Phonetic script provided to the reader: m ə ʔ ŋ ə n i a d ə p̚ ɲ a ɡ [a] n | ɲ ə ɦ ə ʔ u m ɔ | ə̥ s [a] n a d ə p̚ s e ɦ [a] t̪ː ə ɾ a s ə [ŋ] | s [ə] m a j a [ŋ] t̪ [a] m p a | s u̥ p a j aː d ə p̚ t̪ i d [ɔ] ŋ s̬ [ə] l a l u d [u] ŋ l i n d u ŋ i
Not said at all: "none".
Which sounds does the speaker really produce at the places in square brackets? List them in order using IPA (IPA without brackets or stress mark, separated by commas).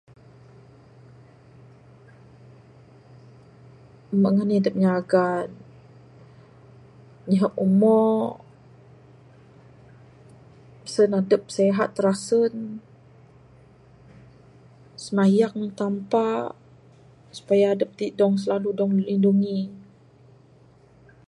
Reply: a, ə, a, n, ə, ŋ, a, ɔ, ə, ɔ